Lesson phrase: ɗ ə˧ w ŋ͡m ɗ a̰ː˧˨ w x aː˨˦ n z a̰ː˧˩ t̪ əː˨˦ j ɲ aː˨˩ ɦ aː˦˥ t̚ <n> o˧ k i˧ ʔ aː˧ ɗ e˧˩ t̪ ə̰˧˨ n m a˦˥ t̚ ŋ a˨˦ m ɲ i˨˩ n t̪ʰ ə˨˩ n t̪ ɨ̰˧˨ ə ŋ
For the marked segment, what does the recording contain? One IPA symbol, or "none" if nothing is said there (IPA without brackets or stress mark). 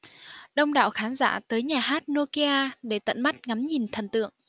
n